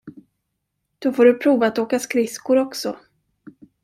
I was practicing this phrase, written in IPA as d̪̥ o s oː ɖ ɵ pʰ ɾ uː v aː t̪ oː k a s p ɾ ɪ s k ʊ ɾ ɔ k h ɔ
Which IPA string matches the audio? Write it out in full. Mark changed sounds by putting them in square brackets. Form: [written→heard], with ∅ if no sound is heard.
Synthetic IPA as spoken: d̪̥ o [s→f] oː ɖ ɵ pʰ ɾ uː v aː t̪ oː k a s [p→k] ɾ ɪ s k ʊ ɾ ɔ k [h→s] ɔ